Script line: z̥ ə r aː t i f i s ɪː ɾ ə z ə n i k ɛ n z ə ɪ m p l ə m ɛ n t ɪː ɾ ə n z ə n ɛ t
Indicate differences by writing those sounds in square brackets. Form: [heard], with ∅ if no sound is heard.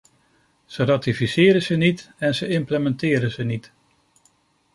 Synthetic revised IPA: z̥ ə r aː t i f i s ɪː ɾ ə z ə n i [t] ɛ n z ə ɪ m p l ə m ɛ n t ɪː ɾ ə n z ə n [i] t

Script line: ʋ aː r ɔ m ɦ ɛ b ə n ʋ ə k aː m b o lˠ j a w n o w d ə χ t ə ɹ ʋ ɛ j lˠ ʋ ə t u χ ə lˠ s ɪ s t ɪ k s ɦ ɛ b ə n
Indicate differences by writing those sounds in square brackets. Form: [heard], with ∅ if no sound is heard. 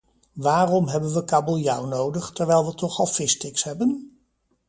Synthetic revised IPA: ʋ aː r ɔ m ɦ ɛ b ə n ʋ ə k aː [∅] b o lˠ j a w n o w d ə χ t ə ɹ ʋ ɛ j lˠ ʋ ə t [ɔ] χ [ɑ] lˠ [f] ɪ s t ɪ k s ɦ ɛ b ə n

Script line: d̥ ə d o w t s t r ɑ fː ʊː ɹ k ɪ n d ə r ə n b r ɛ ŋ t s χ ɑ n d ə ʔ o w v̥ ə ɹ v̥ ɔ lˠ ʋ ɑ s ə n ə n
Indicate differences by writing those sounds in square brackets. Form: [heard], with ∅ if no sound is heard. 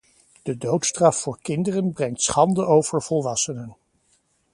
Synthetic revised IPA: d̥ ə d o w t s t r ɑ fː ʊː ɹ k ɪ n d ə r ə n b r ɛ ŋ t s χ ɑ n d ə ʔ o w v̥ ə ɹ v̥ ɔ lˠ ʋ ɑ s ə n ə n

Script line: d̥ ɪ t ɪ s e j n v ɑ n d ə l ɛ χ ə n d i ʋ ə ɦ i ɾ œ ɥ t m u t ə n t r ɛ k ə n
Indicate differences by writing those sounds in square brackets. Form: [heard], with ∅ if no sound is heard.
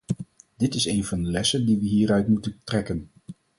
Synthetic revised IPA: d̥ ɪ t ɪ s e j n v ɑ n d ə l ɛ [s] ə n d i ʋ ə ɦ [iː] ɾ œ ɥ t m u t ə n t r ɛ k ə n

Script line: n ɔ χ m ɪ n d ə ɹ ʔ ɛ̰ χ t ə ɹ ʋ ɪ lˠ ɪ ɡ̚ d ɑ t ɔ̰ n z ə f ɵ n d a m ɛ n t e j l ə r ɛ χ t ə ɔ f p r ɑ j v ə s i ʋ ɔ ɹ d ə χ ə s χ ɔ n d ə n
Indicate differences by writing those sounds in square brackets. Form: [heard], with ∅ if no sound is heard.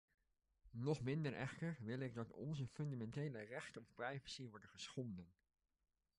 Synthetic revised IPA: n ɔ χ m ɪ n d ə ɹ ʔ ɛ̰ χ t ə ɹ ʋ ɪ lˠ ɪ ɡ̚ d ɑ t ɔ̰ n z ə f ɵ n d a m ɛ n t e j l ə r ɛ χ t ə ɔ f p r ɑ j v ə s i ʋ ɔ ɹ d ə χ ə s χ ɔ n d ə n

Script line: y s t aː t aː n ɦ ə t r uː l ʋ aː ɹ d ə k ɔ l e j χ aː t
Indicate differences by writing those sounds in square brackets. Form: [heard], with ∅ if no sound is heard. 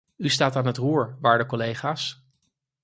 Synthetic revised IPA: y s t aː t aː n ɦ ə t r uː [ɹ] ʋ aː ɹ d ə k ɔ l e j χ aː [s]

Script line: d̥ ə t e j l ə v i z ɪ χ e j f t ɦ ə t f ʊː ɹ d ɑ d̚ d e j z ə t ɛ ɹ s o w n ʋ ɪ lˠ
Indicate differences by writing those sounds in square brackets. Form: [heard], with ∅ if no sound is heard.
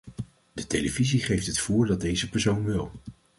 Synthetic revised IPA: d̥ ə t e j l ə v i z [i] χ e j f t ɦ ə t f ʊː ɹ d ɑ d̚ d e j z ə [p] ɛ ɹ s o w n ʋ ɪ lˠ

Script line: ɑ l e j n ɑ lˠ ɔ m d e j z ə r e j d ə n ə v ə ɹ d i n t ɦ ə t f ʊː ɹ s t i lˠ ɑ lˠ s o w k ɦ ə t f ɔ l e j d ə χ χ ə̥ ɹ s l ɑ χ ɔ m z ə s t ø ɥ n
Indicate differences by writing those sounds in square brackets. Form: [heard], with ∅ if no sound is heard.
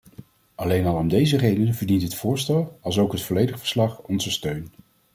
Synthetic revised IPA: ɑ l e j n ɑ lˠ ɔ m d e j z ə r e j d ə n ə v ə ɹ d i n t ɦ ə t f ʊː ɹ s t [ɛ] lˠ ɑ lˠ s o w k ɦ ə t f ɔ l e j d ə χ [f] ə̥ ɹ s l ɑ χ ɔ [n] z ə s t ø ɥ n

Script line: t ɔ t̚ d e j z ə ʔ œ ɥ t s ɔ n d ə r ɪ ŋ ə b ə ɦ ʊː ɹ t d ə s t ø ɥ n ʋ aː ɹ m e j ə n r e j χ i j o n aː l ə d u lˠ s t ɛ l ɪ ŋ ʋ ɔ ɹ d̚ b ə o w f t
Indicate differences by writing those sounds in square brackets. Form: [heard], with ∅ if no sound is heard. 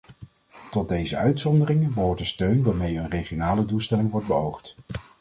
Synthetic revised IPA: t ɔ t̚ d e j z ə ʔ œ ɥ t s ɔ n d ə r ɪ ŋ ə b ə ɦ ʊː ɹ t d ə s t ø ɥ n ʋ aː ɹ m e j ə n r e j χ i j o n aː l ə d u lˠ s t ɛ l ɪ ŋ ʋ ɔ ɹ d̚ b ə o w [χ] t

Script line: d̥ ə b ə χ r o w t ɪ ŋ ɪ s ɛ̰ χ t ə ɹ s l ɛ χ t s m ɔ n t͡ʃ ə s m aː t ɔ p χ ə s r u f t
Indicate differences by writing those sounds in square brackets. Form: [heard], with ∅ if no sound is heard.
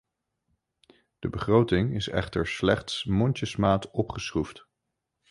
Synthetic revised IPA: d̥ ə b ə χ r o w t ɪ ŋ ɪ s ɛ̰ χ t ə ɹ s l ɛ χ t s m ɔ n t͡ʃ ə s m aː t ɔ p χ ə s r u f t

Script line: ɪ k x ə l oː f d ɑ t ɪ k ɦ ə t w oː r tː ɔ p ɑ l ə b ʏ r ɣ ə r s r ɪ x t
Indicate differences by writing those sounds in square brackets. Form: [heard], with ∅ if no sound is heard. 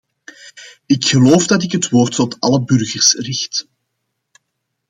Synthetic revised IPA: ɪ k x ə l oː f d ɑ t ɪ k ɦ ə t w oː r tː ɔ [t] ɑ l ə b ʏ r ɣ ə r s r ɪ x t

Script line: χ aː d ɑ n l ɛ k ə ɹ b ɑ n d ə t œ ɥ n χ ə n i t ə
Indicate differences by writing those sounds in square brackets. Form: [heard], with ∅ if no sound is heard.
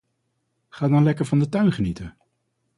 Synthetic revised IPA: χ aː d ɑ n l ɛ k ə ɹ [v] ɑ n d ə t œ ɥ n χ ə n i t ə

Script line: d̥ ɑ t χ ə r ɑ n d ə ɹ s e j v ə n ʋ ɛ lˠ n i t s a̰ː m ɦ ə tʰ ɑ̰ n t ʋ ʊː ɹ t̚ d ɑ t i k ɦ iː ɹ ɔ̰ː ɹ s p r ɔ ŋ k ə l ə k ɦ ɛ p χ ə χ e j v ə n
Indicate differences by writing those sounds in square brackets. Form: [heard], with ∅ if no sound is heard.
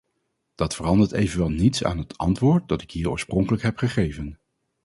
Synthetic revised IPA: d̥ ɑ t [f] ə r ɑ n d ə ɹ [t] e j v ə n ʋ ɛ lˠ n i t s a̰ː [n] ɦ ə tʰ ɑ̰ n t ʋ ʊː ɹ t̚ d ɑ t [ɪ] k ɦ iː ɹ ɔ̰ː ɹ s p r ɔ ŋ k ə l ə k ɦ ɛ p χ ə χ e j v ə n

